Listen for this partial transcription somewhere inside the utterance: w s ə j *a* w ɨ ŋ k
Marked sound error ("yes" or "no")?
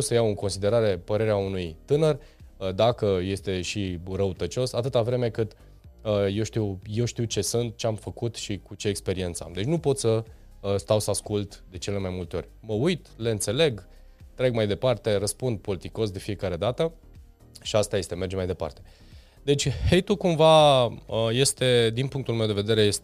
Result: no